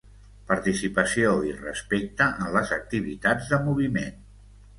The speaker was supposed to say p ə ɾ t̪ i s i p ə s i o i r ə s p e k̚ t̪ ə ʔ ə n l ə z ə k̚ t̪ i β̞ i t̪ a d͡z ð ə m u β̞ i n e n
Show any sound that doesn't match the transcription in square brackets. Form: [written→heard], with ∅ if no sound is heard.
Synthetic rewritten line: p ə ɾ t̪ i s i p ə s i o i r ə s p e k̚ t̪ ə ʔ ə n l ə z ə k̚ t̪ i β̞ i t̪ a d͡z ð ə m u β̞ i [n→m] e n